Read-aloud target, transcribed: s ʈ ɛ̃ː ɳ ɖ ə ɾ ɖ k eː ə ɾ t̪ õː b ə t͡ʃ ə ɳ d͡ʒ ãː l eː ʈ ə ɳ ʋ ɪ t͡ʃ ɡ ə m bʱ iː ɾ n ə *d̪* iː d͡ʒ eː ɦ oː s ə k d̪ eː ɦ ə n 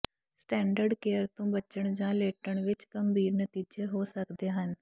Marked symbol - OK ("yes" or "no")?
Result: no